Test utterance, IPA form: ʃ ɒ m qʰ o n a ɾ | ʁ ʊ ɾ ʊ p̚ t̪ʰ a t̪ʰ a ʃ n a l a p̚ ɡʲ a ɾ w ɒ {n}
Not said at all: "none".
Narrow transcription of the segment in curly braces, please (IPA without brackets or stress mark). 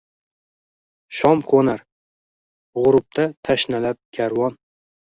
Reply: n